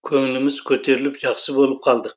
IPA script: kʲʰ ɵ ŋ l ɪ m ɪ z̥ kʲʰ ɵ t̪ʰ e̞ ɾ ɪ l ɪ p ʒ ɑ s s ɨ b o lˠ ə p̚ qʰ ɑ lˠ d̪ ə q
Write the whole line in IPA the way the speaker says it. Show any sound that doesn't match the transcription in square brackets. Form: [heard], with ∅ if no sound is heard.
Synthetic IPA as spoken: kʲʰ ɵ ŋ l ɪ m ɪ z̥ kʲʰ ɵ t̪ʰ e̞ ɾ ɪ l ɪ p ʒ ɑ [χ] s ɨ b o lˠ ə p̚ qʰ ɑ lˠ d̪ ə q